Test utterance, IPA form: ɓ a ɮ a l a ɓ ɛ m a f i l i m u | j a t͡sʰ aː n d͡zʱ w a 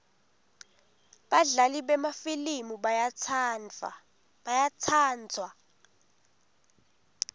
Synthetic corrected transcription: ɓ a ɮ a l i ɓ ɛ m a f i l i m u | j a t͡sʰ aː n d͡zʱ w a